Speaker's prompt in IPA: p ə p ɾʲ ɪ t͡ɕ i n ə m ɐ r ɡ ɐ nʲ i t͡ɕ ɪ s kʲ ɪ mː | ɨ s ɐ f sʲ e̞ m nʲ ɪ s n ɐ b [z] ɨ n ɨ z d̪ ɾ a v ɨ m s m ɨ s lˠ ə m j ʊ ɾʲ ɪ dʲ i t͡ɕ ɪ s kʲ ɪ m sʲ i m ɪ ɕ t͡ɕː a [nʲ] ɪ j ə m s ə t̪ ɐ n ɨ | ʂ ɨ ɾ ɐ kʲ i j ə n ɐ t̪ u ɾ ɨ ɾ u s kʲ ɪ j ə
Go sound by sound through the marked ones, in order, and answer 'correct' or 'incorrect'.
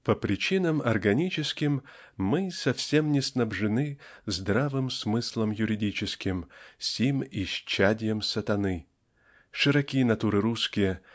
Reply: incorrect: ʐ, incorrect: dʲ

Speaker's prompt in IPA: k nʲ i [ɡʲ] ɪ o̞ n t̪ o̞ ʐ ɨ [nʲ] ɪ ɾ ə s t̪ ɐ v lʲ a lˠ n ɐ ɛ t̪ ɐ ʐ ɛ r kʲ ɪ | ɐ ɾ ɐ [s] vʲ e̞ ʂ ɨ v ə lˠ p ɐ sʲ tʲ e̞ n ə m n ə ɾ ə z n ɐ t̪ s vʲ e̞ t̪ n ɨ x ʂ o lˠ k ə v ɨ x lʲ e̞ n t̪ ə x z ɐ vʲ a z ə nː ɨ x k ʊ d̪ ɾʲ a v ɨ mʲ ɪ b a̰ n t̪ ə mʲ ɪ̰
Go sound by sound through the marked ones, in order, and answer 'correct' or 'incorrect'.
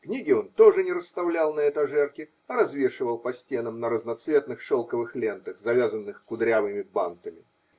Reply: correct, correct, incorrect: z

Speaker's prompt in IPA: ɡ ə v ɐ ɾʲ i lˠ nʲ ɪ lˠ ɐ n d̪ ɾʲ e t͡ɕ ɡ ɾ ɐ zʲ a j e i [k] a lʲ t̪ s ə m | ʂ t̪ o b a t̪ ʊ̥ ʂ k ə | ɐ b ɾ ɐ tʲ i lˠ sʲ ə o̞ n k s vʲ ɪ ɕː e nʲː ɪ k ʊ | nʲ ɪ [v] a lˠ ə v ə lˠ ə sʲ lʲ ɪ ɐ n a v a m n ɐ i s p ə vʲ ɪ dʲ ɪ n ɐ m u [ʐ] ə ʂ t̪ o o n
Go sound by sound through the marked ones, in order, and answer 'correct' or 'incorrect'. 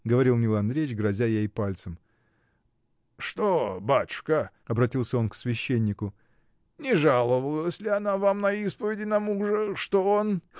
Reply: incorrect: p, incorrect: ʐ, correct

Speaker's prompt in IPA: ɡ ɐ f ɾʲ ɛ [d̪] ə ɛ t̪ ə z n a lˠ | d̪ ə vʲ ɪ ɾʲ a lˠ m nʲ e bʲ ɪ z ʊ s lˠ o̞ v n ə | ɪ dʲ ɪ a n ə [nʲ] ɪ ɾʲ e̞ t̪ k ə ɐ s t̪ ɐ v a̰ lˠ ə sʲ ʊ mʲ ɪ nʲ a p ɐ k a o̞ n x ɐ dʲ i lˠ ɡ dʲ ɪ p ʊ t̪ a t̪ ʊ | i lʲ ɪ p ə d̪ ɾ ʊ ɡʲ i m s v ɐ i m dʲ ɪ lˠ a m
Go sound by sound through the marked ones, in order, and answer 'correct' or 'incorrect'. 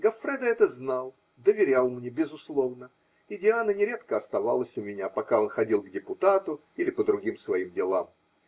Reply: correct, correct

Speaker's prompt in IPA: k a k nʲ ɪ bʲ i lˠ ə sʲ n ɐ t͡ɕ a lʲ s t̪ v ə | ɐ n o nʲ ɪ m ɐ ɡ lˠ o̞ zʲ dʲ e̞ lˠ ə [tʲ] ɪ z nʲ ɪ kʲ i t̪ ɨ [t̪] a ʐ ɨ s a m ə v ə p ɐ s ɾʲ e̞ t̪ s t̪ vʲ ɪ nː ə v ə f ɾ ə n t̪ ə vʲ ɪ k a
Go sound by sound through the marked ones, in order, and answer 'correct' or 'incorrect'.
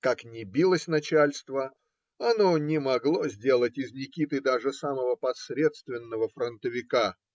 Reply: correct, incorrect: d̪

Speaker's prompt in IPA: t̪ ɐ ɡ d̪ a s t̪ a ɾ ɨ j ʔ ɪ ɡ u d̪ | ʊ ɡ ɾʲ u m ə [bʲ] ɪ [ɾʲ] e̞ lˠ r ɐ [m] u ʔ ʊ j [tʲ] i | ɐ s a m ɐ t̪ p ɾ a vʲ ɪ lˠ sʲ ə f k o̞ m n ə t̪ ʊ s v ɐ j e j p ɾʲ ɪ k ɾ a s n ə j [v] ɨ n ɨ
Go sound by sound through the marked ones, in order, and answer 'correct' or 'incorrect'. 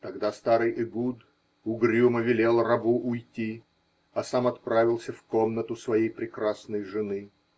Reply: incorrect: vʲ, incorrect: lʲ, incorrect: b, correct, incorrect: ʐ

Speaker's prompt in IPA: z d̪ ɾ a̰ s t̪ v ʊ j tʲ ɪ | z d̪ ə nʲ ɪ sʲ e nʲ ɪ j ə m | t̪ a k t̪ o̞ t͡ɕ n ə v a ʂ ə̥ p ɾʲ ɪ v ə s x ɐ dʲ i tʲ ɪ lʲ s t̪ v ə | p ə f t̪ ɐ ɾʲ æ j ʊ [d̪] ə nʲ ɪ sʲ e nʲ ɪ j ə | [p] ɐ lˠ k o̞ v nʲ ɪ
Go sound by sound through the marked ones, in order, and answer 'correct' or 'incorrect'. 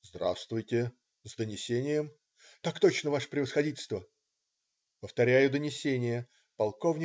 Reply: correct, correct

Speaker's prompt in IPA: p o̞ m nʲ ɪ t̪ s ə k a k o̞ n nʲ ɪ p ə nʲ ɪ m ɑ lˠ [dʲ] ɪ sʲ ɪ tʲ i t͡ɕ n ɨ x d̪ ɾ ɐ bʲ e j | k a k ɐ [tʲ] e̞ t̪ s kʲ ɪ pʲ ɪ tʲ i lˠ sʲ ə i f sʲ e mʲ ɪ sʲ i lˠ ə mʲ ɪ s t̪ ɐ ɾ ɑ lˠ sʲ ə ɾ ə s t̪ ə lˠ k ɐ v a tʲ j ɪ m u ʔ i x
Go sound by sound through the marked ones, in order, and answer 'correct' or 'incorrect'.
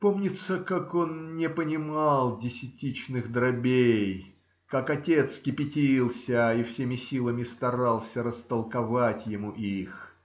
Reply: correct, correct

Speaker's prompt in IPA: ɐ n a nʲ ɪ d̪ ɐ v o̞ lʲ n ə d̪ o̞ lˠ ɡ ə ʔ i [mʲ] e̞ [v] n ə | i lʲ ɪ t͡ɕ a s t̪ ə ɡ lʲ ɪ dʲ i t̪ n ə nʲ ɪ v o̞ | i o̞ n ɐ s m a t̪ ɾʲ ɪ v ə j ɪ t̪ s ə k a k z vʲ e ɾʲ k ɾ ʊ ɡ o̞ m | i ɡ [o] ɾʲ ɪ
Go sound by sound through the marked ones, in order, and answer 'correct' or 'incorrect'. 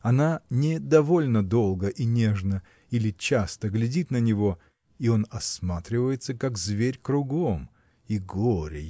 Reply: incorrect: nʲ, incorrect: ʐ, correct

